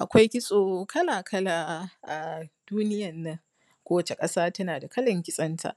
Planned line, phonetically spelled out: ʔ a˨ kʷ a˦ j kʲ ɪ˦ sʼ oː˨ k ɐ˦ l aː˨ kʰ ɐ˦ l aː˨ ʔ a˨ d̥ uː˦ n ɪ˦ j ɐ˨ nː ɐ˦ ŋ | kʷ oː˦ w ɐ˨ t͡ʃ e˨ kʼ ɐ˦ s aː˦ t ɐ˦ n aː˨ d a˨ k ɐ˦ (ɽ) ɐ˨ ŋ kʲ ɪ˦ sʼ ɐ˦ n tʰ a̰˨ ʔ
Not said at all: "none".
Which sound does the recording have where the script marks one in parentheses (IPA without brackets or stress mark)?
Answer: l